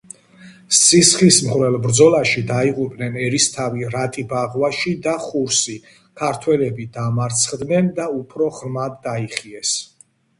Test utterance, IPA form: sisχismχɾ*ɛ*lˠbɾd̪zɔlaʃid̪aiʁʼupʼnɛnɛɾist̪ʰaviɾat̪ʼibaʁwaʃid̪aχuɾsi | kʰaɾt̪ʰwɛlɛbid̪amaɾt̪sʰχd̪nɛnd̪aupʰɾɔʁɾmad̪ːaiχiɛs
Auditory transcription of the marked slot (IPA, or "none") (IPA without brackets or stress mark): ɛ